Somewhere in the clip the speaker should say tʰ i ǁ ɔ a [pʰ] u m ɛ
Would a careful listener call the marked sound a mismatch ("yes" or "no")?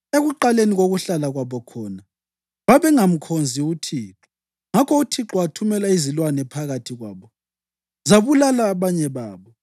yes